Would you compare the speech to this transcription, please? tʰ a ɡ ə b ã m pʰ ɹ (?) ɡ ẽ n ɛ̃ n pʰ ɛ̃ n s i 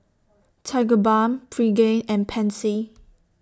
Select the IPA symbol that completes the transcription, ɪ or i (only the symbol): i